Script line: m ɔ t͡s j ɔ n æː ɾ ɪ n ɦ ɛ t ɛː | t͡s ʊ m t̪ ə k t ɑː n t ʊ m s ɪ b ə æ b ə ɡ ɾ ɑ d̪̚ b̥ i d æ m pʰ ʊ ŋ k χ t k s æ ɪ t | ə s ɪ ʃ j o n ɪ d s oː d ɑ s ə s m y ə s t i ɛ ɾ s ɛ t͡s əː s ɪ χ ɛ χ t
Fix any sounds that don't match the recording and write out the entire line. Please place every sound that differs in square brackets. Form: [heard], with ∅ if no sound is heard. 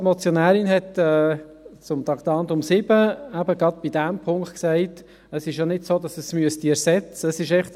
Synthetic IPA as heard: m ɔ t͡s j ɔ n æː ɾ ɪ n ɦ ɛ t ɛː | t͡s ʊ m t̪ [ɑ] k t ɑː n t ʊ m s ɪ b ə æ b ə ɡ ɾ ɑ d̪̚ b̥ i d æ m pʰ ʊ ŋ k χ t k s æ ɪ t | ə s ɪ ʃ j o n ɪ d s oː d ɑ s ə s m y ə s t i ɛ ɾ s ɛ t͡s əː s ɪ [ʃ] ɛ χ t